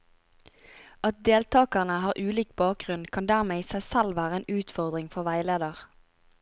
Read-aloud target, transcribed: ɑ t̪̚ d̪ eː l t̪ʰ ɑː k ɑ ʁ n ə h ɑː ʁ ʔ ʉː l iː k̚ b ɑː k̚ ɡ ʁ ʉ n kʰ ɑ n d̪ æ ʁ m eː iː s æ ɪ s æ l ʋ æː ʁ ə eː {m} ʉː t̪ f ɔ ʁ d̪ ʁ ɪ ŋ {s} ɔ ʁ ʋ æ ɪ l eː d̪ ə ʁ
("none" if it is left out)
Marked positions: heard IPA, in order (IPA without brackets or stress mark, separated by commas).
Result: n, f